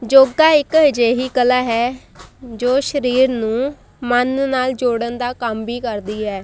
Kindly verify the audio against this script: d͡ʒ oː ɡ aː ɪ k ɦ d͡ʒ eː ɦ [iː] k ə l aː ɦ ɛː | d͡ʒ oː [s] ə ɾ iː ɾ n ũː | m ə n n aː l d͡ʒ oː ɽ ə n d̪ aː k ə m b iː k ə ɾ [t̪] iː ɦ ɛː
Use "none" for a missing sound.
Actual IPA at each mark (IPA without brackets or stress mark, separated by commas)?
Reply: iː, ʃ, d̪